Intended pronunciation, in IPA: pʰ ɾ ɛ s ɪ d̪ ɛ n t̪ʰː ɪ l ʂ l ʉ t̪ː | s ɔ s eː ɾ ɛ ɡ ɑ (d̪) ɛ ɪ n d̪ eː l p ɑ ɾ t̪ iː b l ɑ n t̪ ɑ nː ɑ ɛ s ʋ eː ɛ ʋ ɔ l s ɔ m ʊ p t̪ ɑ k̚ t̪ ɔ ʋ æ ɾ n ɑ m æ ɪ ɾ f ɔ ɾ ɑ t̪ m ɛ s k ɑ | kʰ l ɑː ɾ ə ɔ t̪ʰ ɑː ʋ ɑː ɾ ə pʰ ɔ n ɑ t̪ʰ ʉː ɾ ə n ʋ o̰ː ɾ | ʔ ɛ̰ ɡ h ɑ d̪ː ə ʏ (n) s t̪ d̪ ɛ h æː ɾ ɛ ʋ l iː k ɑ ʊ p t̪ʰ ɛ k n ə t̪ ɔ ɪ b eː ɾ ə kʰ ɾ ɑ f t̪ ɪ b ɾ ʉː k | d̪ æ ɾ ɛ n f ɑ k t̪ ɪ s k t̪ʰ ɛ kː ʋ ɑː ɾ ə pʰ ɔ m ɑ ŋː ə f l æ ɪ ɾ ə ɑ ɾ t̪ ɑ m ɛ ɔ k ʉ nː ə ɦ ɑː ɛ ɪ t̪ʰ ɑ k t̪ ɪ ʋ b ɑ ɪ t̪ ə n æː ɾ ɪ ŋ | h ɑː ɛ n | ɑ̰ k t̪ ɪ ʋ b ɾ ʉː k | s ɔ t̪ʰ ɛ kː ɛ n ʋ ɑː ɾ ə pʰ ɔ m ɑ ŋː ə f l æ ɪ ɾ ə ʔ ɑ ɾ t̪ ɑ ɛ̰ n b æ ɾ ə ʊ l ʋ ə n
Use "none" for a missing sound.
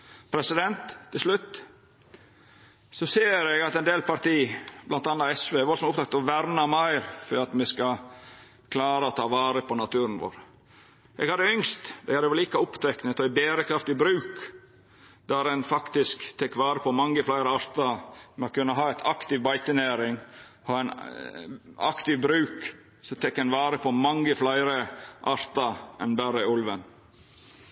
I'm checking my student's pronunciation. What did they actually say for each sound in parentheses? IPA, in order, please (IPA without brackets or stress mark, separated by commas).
t̪, ŋ